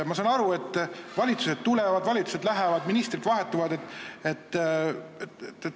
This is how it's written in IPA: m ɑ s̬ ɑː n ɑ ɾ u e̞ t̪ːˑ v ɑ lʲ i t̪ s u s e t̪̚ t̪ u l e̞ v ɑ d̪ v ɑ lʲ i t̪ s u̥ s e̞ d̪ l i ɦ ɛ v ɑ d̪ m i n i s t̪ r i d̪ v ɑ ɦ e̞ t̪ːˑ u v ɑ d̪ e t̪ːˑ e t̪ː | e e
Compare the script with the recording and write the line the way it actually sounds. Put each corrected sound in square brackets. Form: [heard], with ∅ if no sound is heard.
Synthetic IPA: m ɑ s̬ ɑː n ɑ ɾ u e̞ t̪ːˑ v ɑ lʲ i t̪ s u s e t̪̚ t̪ u l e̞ v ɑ d̪ v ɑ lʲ i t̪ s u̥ s e̞ d̪ l [æ] ɦ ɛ v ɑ d̪ m i n i s t̪ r i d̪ v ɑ ɦ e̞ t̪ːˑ u v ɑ d̪ e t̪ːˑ e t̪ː | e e